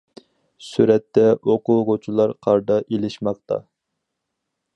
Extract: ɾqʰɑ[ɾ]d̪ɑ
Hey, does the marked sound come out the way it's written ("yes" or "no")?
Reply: yes